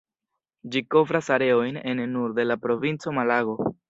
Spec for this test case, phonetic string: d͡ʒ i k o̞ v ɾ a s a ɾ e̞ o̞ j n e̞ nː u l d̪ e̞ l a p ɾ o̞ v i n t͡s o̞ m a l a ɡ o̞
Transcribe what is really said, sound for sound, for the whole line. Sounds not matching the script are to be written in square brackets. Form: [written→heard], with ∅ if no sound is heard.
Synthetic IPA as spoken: d͡ʒ i k o̞ v ɾ a s a ɾ e̞ o̞ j n e̞ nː u [l→ɾ] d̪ e̞ l a p ɾ o̞ v i n t͡s o̞ m a l a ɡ o̞